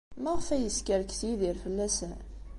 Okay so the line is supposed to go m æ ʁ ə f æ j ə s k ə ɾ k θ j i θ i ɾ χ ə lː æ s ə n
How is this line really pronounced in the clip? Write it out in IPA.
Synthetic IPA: m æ ʁ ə f æ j ə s k ə ɾ k θ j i ð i ɾ f ə lː æ s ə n